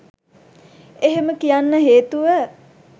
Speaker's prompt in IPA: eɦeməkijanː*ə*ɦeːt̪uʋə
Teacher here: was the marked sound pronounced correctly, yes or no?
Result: yes